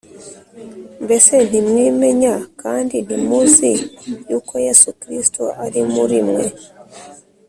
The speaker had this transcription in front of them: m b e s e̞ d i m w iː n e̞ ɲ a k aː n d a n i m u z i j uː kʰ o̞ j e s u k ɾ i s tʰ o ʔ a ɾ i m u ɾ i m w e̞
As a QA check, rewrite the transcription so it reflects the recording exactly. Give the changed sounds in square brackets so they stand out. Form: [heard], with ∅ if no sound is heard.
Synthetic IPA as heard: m b e s e̞ [n] i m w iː [m] e̞ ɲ a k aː n d [i] n i m u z i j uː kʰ o̞ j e s u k ɾ i s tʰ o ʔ a ɾ i m u ɾ i m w e̞